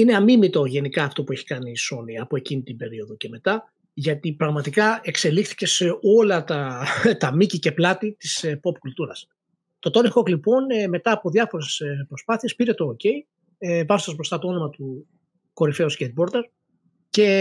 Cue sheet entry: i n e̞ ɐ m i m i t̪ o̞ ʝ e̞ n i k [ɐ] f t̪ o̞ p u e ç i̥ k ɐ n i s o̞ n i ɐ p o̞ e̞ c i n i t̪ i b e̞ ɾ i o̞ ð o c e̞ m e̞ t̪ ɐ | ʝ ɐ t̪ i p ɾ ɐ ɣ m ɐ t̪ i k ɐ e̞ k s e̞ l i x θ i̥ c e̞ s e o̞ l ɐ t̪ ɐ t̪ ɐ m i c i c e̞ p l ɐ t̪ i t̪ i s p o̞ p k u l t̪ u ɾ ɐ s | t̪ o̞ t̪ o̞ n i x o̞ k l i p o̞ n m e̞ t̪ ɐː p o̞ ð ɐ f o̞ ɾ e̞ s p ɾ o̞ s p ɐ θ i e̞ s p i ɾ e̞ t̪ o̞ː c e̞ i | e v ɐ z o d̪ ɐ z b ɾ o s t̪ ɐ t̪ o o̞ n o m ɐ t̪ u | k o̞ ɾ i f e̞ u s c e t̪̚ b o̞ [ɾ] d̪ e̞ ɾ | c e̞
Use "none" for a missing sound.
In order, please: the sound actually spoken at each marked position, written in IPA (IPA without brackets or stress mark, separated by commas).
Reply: ɐː, ɾ